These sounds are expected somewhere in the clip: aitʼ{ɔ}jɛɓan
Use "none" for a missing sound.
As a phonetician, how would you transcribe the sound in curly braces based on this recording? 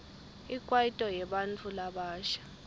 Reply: ɔ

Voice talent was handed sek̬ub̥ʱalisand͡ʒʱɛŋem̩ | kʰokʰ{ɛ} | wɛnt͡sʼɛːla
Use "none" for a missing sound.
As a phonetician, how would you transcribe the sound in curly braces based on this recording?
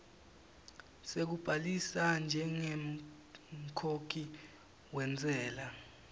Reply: i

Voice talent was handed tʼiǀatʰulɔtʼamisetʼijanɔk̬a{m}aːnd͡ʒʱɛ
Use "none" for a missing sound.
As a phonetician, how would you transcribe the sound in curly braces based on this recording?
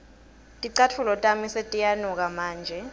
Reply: m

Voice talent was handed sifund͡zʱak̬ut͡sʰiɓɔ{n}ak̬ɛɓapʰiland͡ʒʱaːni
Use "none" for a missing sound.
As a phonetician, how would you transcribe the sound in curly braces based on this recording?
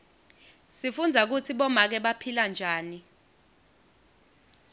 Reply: m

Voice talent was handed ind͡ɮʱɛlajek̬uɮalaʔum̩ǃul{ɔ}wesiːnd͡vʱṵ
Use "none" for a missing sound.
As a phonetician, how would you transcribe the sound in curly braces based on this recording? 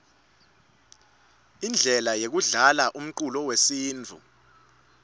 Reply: ɔ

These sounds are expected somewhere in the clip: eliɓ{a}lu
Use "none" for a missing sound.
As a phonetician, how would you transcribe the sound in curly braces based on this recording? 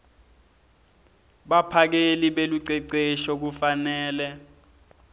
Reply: e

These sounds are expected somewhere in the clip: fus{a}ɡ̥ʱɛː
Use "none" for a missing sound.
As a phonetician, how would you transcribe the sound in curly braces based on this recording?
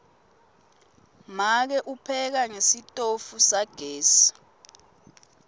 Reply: a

